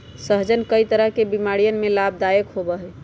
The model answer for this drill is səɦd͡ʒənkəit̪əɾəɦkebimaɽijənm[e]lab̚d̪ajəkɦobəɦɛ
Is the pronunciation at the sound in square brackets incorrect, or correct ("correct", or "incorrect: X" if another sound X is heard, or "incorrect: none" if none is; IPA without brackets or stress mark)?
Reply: correct